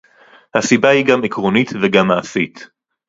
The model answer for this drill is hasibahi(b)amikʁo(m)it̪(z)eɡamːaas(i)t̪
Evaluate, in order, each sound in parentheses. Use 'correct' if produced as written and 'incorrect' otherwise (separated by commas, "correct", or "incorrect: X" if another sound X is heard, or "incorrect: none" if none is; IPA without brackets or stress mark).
incorrect: ɡ, incorrect: n, incorrect: v, correct